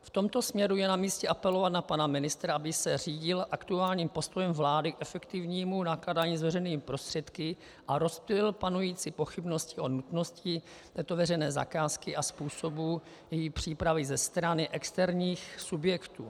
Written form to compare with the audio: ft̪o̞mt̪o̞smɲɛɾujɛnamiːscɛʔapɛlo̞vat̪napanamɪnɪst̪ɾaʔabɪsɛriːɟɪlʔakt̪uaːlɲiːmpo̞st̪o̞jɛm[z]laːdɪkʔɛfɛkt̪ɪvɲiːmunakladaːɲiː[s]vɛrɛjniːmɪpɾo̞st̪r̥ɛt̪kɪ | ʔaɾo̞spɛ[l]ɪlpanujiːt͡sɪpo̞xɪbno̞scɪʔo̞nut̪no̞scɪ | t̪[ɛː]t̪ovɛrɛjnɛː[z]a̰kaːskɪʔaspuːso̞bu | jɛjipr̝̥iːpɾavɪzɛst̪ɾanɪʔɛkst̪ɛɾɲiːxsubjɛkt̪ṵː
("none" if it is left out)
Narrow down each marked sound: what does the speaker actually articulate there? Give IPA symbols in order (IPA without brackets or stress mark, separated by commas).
v, z, l, ɛː, z